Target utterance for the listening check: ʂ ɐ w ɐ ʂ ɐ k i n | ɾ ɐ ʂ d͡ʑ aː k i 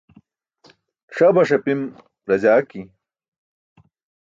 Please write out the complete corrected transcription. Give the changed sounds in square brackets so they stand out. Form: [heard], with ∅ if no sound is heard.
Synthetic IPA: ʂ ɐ [b] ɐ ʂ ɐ [p] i [m] | ɾ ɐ [∅] d͡ʑ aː k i